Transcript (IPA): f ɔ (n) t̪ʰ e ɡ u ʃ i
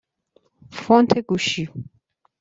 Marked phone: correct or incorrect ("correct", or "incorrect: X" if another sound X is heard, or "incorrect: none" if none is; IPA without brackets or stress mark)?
correct